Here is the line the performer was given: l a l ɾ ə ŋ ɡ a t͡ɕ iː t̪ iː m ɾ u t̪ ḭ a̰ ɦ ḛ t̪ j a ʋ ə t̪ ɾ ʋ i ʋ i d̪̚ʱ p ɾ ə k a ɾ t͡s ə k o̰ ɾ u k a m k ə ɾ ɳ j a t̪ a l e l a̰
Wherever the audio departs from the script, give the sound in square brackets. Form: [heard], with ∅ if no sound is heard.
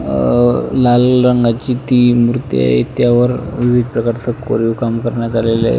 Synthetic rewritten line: l a l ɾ ə ŋ ɡ a t͡ɕ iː t̪ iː m ɾ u t̪ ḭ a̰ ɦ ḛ t̪ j a ʋ ə [∅] ɾ ʋ i ʋ i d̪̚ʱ p ɾ ə k a ɾ t͡s ə k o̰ ɾ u k a m k ə ɾ ɳ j a t̪ a l e l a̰